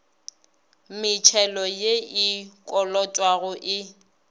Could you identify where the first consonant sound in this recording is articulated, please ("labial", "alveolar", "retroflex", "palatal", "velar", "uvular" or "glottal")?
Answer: labial